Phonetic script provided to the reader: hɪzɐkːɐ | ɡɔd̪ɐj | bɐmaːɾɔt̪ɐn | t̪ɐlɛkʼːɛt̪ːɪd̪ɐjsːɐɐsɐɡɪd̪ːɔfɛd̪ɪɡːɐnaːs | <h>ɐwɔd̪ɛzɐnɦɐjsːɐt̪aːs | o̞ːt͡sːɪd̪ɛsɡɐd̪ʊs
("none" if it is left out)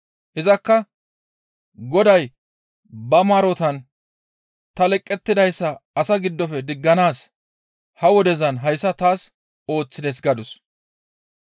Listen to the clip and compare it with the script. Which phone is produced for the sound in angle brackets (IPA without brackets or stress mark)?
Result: h